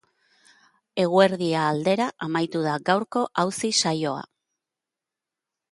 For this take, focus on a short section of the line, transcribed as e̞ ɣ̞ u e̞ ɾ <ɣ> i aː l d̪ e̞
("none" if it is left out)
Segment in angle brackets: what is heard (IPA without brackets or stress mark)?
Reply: ð